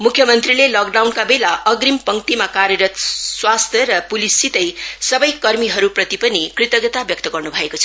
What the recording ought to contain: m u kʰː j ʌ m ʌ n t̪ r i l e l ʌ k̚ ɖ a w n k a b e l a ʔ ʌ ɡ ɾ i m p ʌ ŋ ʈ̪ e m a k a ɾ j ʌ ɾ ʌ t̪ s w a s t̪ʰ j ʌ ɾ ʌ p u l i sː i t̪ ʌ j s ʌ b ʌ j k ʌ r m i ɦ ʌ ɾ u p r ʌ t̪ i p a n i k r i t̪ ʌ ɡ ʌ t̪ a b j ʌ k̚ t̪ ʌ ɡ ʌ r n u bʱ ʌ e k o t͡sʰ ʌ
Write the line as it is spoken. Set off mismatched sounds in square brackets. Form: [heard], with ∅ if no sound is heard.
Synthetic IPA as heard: m u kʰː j ʌ m ʌ n t̪ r i l e l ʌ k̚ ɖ a w n k a b e l a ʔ ʌ ɡ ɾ i m p ʌ ŋ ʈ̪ [i] m a k a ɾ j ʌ ɾ ʌ t̪ s w a s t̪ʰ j ʌ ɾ ʌ p u l i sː i t̪ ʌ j s ʌ b ʌ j k ʌ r m i ɦ ʌ ɾ u p r ʌ t̪ i p [ʌ] n i k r i t̪ ʌ ɡ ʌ t̪ a b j ʌ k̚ t̪ ʌ ɡ ʌ r n u bʱ ʌ e k o t͡sʰ ʌ